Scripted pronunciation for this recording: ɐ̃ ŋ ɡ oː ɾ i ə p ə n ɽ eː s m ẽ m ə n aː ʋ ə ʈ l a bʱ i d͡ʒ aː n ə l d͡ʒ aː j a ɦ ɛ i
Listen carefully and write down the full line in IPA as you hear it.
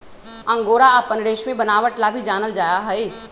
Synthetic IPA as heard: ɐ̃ ŋ ɡ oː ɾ a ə p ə n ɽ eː ʃ m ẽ b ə n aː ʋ ə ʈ l a bʱ i d͡ʒ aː n ə l d͡ʒ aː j a ɦ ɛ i